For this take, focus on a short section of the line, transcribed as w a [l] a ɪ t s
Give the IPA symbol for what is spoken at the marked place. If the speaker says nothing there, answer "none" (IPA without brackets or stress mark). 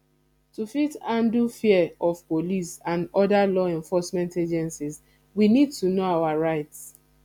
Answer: ɹ